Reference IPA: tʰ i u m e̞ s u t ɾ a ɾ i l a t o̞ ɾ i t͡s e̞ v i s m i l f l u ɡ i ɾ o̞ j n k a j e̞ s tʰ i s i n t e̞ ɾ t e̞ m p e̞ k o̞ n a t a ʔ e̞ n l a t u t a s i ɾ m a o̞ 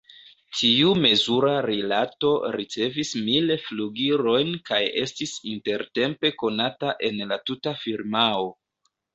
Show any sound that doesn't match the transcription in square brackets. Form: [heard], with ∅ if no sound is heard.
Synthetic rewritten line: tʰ i u m e̞ [z] u [∅] ɾ a ɾ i l a t o̞ ɾ i t͡s e̞ v i s m i l f l u ɡ i ɾ o̞ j n k a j e̞ s [t] i s i n t e̞ ɾ t e̞ m p e̞ k o̞ n a t a ʔ e̞ n l a t u t a [f] i ɾ m a o̞